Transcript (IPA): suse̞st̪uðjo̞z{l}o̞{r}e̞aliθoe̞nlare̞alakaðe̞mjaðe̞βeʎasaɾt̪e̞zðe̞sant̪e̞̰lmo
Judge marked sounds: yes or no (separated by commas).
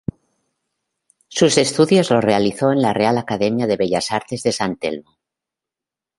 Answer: yes, yes